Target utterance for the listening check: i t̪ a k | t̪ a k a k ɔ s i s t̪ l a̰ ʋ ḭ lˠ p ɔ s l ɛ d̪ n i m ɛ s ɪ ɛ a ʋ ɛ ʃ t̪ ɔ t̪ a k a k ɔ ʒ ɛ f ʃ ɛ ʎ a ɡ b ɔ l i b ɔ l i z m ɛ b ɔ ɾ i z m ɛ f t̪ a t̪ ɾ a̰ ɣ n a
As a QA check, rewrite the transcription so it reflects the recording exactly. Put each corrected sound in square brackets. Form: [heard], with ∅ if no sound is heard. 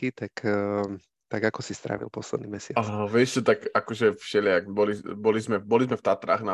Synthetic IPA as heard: i t̪ a k | t̪ a [ɡ] a k ɔ s i s t̪ [ɾ] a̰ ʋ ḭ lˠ p ɔ s l ɛ d̪ n i m ɛ s ɪ [a] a ʋ ɛ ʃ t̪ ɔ t̪ a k a k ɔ ʒ ɛ f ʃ ɛ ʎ a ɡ b ɔ l i b ɔ l i z m ɛ b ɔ [l] i z m ɛ f t̪ a t̪ ɾ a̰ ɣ n a